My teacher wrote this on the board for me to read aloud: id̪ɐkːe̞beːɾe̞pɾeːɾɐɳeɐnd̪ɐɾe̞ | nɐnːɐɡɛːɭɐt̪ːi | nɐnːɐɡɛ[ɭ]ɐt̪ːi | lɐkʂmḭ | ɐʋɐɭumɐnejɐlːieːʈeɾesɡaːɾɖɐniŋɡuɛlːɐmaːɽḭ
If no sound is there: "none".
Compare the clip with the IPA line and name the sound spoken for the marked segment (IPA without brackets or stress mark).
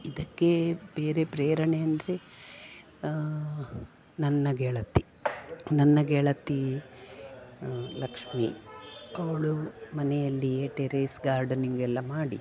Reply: ɭ